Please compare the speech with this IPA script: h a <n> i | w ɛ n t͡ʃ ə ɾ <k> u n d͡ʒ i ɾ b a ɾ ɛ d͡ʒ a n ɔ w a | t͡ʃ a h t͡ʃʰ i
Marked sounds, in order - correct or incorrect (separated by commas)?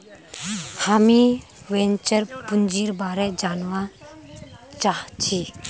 incorrect, incorrect